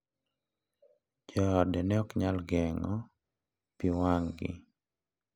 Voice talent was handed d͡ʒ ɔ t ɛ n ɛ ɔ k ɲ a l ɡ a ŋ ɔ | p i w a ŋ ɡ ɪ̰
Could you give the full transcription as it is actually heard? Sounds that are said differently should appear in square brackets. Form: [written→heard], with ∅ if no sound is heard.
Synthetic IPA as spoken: d͡ʒ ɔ [t→d] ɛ n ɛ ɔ k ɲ a l ɡ [a→ɛ] ŋ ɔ | p i w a ŋ ɡ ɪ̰